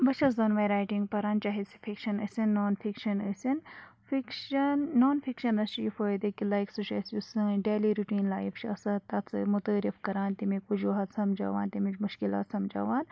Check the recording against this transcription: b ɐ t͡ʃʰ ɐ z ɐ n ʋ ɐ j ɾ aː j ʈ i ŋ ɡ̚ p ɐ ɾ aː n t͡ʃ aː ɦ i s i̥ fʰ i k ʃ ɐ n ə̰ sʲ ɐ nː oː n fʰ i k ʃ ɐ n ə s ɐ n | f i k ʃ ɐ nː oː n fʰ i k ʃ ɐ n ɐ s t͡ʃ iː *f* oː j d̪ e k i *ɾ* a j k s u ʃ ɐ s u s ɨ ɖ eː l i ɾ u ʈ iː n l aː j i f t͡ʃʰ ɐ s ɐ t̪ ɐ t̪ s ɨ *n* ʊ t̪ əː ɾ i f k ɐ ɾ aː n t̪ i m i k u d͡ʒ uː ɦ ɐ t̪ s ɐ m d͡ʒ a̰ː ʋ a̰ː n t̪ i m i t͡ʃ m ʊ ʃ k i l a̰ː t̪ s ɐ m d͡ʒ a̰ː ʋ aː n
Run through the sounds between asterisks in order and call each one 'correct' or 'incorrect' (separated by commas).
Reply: correct, incorrect, incorrect